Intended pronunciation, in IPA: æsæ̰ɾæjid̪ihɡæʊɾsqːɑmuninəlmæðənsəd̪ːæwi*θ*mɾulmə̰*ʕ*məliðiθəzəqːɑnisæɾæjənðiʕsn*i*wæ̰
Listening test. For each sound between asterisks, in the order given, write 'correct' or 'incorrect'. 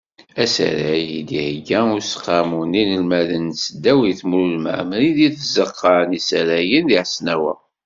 correct, correct, incorrect

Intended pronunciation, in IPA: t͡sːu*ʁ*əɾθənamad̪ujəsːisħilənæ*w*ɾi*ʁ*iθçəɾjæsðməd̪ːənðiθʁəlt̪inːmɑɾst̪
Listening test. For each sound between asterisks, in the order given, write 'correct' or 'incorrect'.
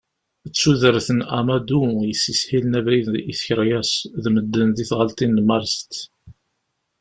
incorrect, incorrect, incorrect

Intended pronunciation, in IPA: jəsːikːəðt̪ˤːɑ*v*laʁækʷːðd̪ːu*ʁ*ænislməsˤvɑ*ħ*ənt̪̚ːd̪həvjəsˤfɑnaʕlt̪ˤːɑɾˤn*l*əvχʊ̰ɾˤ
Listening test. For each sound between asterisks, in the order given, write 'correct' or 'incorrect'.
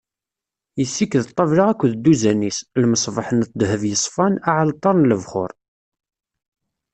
correct, incorrect, correct, correct

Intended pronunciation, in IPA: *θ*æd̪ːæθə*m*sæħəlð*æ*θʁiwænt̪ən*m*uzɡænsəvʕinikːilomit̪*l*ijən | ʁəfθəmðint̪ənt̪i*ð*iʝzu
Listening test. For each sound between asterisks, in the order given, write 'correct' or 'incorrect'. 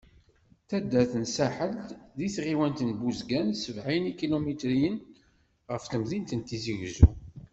correct, incorrect, incorrect, incorrect, incorrect, incorrect

